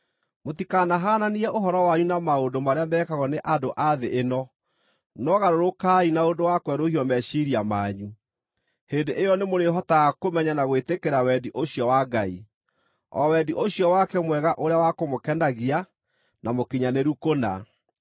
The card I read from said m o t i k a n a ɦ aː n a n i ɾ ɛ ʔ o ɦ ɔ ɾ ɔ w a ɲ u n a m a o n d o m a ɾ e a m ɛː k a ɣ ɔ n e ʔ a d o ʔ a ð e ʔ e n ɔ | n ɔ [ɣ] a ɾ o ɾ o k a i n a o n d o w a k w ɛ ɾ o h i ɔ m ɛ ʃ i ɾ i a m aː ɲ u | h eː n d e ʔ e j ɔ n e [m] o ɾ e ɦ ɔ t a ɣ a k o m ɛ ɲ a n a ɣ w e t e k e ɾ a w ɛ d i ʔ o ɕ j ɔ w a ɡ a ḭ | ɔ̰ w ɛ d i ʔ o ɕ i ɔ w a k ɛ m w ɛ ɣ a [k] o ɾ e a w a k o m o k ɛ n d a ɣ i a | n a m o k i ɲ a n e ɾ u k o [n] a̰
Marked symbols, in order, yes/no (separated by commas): yes, yes, no, yes